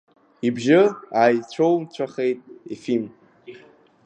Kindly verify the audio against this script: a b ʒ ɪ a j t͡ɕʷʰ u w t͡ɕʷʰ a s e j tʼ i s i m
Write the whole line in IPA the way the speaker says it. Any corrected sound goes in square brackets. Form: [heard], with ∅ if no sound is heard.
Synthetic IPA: [i] b ʒ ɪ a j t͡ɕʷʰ [o] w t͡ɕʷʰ a [χ] e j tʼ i [f] i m

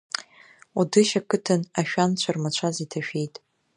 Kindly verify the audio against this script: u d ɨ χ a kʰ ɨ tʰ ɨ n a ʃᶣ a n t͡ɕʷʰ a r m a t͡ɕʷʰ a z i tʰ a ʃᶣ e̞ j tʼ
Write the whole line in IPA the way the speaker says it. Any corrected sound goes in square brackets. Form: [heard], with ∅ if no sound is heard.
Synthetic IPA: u d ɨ [ʃ] a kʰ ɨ tʰ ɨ n a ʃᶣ a n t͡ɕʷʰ a r m a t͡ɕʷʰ a z i tʰ a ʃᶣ e̞ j tʼ

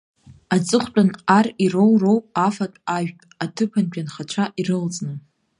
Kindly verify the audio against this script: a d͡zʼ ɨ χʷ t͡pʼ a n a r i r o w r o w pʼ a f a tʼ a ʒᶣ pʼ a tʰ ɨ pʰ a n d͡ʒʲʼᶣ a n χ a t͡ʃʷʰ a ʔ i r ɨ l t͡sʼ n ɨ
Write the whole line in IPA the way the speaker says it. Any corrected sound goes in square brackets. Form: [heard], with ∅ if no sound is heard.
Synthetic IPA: a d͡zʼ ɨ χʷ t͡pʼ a n a r i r o w r o w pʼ a f a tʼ a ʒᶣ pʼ a tʰ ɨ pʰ a n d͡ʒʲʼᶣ a n χ a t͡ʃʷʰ a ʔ i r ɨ l t͡sʼ n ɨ

